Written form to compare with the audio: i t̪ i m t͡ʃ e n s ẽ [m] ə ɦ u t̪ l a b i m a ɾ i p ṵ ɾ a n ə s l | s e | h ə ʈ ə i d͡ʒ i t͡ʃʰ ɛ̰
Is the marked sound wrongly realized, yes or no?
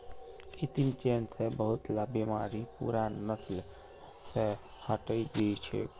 yes